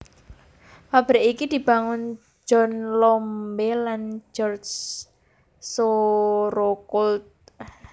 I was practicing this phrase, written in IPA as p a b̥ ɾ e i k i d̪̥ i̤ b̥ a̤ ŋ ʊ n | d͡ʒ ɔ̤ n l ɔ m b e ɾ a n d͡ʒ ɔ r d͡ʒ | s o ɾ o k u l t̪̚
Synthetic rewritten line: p a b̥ ɾ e i k i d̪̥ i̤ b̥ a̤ ŋ ʊ n | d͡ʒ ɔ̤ n l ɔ m b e l a n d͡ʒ ɔ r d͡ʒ | s o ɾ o k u l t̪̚